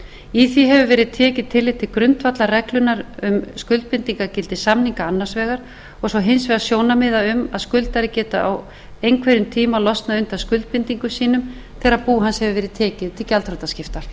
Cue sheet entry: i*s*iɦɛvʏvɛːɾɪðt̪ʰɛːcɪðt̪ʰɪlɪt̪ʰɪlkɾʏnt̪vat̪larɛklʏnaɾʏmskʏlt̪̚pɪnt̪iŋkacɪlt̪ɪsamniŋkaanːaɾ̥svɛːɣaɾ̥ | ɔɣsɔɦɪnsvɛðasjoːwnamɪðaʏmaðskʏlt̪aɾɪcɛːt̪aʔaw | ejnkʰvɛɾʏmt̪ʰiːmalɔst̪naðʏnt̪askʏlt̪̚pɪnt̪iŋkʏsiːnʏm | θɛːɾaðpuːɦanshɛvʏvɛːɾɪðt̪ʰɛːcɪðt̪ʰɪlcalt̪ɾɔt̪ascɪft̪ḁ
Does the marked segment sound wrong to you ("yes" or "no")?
yes